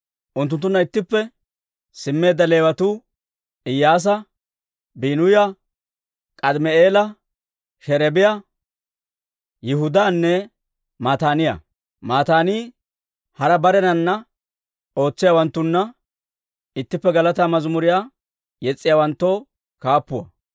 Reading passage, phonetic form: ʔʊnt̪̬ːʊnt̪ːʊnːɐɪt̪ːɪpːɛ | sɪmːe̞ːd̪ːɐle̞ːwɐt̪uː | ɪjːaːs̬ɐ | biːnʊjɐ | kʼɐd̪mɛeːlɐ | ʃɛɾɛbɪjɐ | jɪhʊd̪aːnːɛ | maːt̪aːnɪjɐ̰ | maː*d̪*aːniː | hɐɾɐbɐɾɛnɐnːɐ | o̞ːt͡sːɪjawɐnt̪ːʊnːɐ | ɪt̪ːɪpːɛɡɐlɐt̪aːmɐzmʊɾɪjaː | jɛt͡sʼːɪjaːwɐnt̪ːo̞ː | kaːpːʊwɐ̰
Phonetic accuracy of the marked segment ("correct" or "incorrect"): incorrect